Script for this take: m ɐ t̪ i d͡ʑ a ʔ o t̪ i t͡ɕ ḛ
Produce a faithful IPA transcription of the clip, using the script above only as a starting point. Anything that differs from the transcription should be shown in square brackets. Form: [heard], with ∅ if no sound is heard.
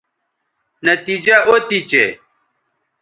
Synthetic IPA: [n] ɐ t̪ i d͡ʑ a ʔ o t̪ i t͡ɕ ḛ